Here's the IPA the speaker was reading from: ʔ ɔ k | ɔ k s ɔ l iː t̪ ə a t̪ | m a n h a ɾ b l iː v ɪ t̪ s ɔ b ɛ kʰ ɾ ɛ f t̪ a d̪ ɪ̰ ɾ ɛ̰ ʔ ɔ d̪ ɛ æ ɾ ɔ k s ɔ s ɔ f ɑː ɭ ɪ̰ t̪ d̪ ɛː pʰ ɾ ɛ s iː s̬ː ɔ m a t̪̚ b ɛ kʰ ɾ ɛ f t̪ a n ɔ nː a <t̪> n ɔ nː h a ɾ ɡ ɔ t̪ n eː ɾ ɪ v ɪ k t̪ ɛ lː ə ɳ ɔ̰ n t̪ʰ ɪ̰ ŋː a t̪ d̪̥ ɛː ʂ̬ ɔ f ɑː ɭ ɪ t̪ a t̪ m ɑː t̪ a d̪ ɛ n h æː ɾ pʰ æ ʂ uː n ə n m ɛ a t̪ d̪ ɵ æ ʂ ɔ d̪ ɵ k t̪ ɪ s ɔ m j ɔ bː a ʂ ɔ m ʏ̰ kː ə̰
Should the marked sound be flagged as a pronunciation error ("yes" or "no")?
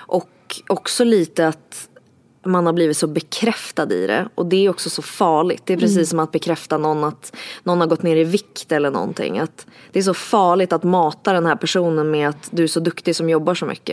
no